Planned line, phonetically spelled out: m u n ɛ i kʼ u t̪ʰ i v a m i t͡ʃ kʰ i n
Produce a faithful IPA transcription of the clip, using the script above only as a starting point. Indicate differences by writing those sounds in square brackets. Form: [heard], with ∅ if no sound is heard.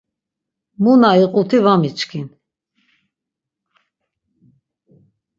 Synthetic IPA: m u n [a] i [qʼ] u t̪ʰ i v a m i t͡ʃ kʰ i n

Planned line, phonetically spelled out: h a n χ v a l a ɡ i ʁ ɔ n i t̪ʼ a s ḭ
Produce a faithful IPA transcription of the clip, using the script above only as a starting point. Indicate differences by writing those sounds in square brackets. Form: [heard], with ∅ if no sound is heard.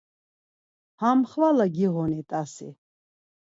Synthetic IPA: h a [m] χ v a l a ɡ i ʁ ɔ n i t̪ʼ a s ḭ

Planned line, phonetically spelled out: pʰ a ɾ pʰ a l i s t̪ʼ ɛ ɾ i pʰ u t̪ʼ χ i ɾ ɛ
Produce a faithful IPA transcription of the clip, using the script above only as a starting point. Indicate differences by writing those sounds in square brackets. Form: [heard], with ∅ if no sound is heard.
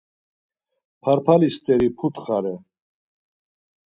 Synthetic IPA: pʰ a ɾ pʰ a l i s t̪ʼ ɛ ɾ i pʰ u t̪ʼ χ [a] ɾ ɛ

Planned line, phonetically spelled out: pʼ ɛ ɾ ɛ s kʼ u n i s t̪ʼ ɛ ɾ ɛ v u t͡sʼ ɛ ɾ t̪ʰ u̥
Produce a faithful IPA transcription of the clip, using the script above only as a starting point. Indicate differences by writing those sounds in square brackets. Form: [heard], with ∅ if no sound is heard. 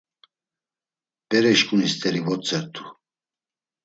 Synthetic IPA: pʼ ɛ ɾ ɛ [ʃ] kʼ u n i s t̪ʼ ɛ ɾ [i] v [ɔ] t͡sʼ ɛ ɾ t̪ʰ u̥

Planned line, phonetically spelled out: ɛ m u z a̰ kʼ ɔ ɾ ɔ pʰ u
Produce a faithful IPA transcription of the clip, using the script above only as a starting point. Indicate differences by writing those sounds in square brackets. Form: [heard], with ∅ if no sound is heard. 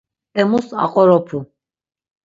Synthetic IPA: ɛ m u [s] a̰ [qʼ] ɔ ɾ ɔ pʰ u

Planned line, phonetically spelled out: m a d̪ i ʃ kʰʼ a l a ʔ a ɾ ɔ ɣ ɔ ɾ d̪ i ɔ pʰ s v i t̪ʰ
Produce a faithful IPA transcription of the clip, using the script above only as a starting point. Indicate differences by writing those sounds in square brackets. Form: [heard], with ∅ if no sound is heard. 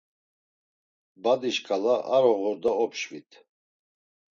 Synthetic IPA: [b] a d̪ i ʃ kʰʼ a l a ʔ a ɾ ɔ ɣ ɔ ɾ d̪ [a] ɔ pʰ [ʃ] v i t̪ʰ

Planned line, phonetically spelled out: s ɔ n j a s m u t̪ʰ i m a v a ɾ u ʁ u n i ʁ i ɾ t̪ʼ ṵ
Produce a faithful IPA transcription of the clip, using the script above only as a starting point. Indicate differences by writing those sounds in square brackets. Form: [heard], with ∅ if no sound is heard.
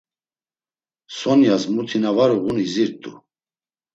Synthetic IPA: s ɔ n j a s m u t̪ʰ i [n] a v a ɾ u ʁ u n i [z] i ɾ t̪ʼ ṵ

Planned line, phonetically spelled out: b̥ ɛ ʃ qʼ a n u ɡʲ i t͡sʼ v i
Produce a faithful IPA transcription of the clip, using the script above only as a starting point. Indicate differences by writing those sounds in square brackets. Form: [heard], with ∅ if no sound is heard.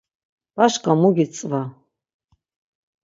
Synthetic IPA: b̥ [a] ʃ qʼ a [m] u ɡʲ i t͡sʼ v [a]

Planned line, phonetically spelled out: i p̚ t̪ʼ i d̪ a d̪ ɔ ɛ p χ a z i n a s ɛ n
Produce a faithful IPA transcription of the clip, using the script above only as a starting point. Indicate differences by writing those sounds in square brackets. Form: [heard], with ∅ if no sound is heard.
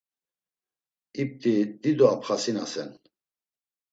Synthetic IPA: i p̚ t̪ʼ i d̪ [i] d̪ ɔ [a] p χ a [s] i n a s ɛ n

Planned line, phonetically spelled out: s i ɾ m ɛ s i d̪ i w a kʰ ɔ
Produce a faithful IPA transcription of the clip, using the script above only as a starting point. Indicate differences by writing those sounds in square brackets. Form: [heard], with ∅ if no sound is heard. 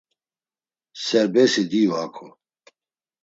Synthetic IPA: s [ɛ] ɾ [b] ɛ s i d̪ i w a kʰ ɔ

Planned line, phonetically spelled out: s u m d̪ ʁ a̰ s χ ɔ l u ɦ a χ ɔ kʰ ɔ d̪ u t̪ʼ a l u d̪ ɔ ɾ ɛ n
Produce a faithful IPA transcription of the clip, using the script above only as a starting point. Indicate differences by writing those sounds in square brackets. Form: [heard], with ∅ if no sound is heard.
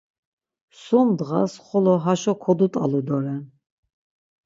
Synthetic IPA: s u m d̪ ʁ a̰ s χ ɔ l [ɔ] ɦ a [ʃ] ɔ kʰ ɔ d̪ u t̪ʼ a l u d̪ ɔ ɾ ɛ n

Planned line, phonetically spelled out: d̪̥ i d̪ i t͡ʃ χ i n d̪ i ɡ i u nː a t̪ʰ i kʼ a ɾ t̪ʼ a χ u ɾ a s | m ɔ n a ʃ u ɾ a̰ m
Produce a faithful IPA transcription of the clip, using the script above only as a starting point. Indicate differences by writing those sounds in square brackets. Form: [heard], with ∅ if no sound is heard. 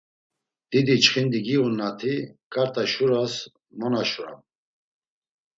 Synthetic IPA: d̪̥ i d̪ i t͡ʃ χ i n d̪ i ɡ i u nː a t̪ʰ i kʼ a ɾ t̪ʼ a [ʃ] u ɾ a s | m ɔ n a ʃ u ɾ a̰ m

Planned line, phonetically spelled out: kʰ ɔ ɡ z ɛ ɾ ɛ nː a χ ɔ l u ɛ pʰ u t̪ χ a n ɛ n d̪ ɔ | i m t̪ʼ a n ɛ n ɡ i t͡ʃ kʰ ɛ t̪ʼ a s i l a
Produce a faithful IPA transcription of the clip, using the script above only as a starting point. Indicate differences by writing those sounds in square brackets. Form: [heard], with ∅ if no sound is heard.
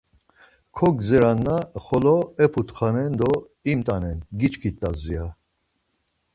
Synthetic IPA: kʰ ɔ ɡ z ɛ ɾ [a] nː a χ ɔ l [ɔ] ɛ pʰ u t̪ χ a n ɛ n d̪ ɔ | i m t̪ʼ a n ɛ n ɡ i t͡ʃ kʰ [i] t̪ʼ a [z] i [∅] a

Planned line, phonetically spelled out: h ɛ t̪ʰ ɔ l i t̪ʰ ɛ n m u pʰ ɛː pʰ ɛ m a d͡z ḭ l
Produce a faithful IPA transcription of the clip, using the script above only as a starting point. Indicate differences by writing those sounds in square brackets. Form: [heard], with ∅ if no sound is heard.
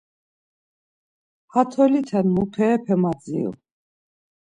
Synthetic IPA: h [a] t̪ʰ ɔ l i t̪ʰ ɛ n m u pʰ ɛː pʰ ɛ m a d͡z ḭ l

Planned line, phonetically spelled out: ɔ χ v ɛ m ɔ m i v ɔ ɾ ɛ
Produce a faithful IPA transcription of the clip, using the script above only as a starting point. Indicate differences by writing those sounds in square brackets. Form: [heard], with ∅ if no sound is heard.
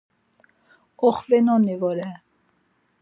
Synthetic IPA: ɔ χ v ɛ [n] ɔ [n] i v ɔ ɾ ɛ

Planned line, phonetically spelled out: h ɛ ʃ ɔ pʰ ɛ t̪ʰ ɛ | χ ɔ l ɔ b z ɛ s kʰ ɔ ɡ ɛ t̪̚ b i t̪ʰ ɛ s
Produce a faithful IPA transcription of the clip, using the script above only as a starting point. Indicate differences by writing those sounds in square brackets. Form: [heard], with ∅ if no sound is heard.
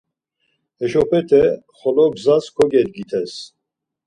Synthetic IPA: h ɛ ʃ ɔ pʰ ɛ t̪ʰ ɛ | χ ɔ l ɔ b z [a] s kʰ ɔ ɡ ɛ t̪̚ [ɡ] i t̪ʰ ɛ s

